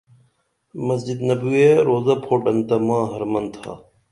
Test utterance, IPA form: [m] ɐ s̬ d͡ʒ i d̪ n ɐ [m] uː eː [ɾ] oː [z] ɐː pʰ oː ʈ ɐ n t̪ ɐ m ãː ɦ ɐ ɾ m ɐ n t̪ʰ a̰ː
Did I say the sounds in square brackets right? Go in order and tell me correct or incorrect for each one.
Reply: correct, incorrect: b, correct, correct

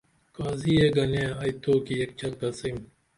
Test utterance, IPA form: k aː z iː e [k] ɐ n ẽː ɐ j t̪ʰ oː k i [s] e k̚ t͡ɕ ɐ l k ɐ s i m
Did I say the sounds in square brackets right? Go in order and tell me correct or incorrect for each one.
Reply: incorrect: ɡ, incorrect: none

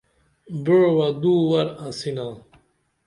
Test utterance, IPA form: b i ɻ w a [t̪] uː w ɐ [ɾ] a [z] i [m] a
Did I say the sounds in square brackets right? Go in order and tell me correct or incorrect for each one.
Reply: incorrect: d̪, correct, incorrect: s, incorrect: n

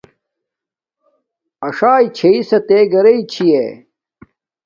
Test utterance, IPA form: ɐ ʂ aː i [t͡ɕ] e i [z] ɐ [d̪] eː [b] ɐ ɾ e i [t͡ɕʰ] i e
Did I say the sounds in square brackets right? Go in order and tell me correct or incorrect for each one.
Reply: incorrect: t͡ɕʰ, incorrect: s, incorrect: t̪, incorrect: ɡ, correct

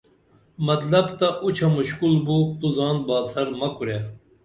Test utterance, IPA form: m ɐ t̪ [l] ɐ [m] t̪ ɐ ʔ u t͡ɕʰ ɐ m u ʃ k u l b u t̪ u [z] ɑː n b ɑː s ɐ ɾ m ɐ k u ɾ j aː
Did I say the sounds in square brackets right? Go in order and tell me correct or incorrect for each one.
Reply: correct, incorrect: b, correct

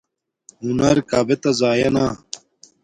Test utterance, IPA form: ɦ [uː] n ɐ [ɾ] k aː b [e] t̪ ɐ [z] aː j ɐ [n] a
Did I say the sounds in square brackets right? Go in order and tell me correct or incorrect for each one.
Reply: incorrect: u, correct, correct, correct, correct

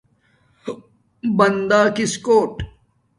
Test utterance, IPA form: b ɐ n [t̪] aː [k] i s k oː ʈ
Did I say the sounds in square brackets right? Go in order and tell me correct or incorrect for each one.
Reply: incorrect: d̪, correct

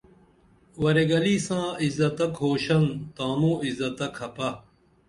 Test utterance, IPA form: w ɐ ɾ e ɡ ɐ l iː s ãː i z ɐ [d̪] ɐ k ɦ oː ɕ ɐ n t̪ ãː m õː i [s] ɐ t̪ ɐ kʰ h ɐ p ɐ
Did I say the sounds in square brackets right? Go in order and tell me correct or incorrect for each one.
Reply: incorrect: t̪, incorrect: z

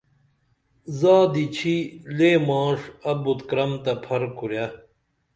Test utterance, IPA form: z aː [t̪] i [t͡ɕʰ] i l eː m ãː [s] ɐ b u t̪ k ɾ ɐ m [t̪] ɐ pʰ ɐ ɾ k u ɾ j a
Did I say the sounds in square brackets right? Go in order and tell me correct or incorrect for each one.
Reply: incorrect: d̪, correct, incorrect: ʂ, correct

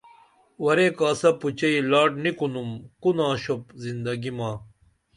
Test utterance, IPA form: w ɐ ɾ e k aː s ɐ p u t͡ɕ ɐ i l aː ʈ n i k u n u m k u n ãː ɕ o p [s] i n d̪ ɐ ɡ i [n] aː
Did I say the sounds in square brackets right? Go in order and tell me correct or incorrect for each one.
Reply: incorrect: z, incorrect: m

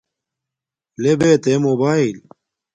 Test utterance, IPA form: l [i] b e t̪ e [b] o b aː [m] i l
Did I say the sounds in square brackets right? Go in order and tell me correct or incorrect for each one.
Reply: incorrect: e, incorrect: m, incorrect: none

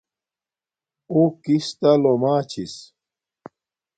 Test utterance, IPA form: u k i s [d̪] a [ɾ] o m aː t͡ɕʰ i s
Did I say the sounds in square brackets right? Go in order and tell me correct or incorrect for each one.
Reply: incorrect: t̪, incorrect: l

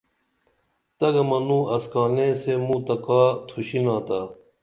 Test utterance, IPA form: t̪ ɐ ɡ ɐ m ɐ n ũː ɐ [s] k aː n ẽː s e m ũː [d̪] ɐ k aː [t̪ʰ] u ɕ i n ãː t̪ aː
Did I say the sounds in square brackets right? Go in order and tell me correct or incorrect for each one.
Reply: correct, incorrect: t̪, correct

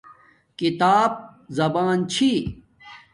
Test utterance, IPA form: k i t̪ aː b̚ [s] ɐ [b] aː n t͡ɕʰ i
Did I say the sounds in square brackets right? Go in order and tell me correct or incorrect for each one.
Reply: incorrect: z, correct

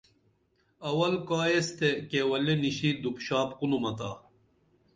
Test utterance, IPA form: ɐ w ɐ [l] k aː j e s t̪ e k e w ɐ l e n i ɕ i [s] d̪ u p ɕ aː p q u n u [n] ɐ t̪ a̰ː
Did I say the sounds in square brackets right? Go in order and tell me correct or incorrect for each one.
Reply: correct, incorrect: none, incorrect: m

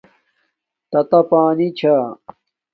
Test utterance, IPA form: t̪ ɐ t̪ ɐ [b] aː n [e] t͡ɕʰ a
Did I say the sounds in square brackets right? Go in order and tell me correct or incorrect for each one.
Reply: incorrect: p, incorrect: i

